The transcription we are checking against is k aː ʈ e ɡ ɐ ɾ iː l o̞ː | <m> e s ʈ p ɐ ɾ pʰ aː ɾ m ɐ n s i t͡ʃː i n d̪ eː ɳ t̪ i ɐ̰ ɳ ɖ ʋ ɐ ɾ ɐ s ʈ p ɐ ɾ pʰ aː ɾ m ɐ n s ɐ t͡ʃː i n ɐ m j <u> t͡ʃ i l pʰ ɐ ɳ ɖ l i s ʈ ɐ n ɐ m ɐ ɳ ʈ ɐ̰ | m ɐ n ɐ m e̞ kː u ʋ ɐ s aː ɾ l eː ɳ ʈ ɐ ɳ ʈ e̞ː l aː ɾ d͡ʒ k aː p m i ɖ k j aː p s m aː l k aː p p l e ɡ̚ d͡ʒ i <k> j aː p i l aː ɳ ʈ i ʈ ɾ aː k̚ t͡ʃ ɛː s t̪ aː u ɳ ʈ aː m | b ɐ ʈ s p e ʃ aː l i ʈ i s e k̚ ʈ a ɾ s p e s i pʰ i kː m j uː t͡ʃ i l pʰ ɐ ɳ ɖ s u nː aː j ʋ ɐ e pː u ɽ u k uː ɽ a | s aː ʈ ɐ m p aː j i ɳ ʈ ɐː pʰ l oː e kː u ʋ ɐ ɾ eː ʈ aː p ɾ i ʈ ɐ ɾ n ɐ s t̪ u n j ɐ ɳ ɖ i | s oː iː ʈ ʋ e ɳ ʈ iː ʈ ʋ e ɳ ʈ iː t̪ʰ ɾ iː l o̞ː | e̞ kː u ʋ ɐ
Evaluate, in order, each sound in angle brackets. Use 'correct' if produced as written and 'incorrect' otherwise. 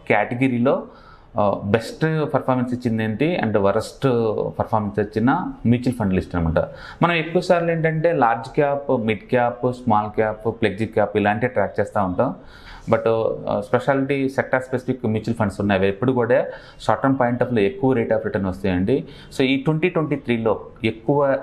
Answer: incorrect: b, incorrect: uː, correct

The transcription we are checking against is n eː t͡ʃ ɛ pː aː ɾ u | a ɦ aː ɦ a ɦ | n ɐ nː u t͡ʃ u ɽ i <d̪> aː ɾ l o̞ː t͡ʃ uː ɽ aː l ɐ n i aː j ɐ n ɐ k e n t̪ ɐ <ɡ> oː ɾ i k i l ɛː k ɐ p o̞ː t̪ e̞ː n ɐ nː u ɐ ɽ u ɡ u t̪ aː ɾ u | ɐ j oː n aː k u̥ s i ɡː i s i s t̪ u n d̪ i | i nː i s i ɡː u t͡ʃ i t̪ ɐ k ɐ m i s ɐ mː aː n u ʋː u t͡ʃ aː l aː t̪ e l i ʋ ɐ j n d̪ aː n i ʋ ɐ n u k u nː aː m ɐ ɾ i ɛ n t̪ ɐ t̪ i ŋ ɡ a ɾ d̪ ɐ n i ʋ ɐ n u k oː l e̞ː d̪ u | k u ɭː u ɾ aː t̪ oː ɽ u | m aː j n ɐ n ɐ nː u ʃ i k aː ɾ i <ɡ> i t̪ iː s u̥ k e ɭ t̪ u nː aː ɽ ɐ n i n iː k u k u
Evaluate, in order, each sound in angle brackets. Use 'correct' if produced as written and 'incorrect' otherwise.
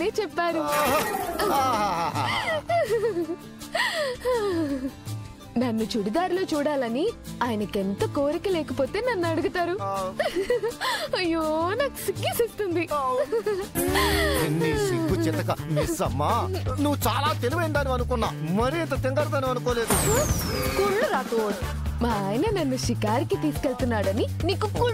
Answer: correct, incorrect: k, incorrect: k

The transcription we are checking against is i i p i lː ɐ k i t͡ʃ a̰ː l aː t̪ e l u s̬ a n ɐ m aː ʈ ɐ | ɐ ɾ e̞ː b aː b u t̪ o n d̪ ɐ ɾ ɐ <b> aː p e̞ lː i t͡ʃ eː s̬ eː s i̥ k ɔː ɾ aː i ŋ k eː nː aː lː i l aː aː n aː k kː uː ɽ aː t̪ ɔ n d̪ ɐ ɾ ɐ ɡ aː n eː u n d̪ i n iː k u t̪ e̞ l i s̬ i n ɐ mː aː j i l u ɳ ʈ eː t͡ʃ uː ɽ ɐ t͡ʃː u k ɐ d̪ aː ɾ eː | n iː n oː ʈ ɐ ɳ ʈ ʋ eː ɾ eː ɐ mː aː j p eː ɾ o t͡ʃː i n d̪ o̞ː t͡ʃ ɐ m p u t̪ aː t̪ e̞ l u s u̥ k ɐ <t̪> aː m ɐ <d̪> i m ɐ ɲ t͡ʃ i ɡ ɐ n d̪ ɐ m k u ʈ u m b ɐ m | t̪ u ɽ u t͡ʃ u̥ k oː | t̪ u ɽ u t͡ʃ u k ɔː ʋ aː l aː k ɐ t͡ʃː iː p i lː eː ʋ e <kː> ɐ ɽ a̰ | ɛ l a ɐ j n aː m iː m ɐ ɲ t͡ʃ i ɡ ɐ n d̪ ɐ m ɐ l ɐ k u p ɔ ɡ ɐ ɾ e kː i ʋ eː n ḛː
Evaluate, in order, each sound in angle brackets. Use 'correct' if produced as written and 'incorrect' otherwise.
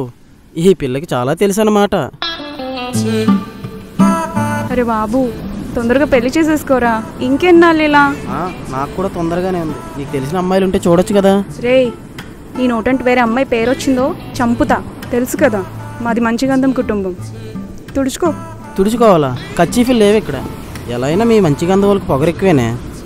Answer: incorrect: ɡ, incorrect: d̪, correct, correct

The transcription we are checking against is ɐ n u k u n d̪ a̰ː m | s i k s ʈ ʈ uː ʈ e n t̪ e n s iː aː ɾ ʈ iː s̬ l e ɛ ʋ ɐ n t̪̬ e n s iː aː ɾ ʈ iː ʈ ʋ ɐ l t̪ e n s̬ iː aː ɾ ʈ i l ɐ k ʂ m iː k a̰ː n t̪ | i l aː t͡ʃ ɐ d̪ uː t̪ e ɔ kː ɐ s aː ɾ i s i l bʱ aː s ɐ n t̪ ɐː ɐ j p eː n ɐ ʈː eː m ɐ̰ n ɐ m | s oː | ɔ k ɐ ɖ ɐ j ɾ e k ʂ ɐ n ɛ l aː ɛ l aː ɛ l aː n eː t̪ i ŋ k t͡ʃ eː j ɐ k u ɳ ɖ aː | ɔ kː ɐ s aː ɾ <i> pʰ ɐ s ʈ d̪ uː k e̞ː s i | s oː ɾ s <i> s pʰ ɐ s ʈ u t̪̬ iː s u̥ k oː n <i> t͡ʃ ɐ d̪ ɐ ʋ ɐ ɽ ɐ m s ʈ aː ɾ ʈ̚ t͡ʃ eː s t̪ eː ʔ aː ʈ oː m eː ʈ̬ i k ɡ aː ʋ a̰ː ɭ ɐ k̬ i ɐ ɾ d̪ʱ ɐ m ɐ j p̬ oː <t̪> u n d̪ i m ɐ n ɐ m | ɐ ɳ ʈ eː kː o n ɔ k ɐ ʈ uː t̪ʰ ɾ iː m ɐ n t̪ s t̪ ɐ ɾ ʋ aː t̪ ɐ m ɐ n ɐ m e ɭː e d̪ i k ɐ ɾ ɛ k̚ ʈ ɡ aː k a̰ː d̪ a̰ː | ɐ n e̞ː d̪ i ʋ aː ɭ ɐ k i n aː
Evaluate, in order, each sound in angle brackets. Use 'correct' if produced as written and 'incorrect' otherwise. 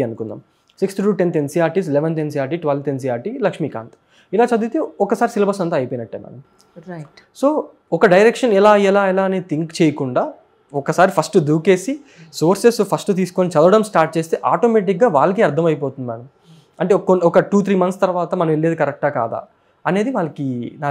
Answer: correct, incorrect: e, correct, correct

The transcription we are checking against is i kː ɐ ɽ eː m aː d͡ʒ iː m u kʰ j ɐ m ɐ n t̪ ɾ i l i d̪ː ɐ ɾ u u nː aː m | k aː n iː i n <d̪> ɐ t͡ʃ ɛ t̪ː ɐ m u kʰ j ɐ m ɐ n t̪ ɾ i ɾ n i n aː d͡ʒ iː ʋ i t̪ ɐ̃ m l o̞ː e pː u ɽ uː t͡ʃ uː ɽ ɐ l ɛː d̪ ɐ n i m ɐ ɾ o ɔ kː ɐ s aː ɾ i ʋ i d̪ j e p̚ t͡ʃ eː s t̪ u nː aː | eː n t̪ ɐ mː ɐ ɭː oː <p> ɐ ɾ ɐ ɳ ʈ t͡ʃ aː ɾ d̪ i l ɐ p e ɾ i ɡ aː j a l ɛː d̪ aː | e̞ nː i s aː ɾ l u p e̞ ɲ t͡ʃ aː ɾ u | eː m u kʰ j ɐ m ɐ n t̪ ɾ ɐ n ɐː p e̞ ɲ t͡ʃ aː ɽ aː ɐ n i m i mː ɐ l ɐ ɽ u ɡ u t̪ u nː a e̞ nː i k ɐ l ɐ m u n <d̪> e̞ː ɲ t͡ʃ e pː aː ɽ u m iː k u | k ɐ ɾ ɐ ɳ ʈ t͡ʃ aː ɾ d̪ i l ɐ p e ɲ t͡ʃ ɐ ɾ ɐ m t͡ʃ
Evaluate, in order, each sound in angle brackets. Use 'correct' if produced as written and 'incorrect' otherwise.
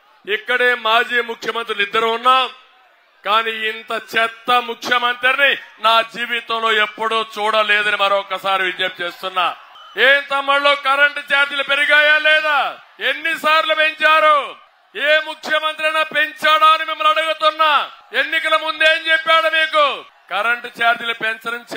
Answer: incorrect: t̪, incorrect: k, correct

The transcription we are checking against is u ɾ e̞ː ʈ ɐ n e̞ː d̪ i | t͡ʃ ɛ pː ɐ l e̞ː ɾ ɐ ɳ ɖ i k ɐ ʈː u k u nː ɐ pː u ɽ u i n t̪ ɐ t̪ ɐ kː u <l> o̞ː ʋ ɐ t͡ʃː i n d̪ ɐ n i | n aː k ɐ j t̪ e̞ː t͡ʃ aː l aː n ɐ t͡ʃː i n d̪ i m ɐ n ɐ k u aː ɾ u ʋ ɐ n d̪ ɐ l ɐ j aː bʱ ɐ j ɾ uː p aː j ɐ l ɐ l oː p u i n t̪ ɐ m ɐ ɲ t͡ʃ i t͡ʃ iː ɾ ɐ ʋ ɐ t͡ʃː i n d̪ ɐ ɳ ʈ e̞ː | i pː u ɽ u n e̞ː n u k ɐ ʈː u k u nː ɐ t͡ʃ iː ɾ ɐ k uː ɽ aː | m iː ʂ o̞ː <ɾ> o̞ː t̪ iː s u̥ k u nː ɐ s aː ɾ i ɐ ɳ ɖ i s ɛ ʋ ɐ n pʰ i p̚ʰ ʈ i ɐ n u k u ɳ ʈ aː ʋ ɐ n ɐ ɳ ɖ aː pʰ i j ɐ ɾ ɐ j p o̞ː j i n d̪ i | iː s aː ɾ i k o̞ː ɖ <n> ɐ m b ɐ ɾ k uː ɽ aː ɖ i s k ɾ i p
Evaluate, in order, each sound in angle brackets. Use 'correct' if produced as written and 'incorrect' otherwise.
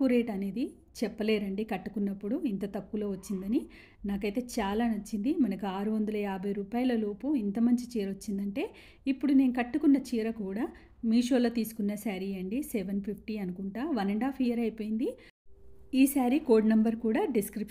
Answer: correct, incorrect: l, correct

